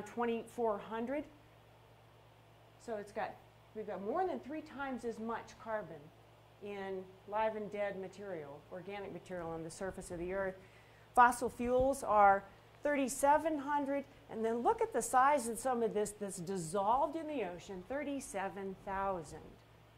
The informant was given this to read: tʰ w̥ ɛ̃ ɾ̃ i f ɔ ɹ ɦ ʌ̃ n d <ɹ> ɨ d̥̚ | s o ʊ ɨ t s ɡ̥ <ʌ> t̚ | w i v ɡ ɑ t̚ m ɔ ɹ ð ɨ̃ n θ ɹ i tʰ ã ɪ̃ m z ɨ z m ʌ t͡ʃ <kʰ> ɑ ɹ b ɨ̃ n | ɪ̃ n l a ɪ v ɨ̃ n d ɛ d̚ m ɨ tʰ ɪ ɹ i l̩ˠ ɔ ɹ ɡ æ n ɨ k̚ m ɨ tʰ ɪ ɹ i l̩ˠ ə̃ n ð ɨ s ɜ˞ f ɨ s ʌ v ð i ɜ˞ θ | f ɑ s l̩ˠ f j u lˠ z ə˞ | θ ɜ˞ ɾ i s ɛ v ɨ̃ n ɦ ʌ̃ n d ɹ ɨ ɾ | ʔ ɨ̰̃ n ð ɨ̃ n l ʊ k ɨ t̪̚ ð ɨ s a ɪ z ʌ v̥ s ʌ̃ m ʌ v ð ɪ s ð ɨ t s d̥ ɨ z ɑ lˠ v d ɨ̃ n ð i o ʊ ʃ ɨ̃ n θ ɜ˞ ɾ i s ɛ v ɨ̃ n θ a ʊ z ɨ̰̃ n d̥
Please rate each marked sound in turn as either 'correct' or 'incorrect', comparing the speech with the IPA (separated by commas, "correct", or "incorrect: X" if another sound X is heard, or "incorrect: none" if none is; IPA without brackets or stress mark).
correct, incorrect: ɑ, correct